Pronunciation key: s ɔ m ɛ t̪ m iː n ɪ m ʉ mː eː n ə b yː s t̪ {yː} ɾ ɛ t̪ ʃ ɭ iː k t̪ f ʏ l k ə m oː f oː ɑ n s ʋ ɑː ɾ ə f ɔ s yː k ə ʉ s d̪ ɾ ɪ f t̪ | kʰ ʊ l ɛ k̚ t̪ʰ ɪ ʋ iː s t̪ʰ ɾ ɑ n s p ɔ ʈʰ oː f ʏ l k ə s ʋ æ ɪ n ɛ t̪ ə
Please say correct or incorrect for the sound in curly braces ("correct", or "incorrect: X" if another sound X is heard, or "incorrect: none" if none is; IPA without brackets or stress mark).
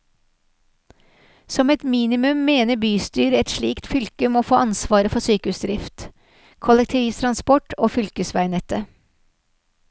correct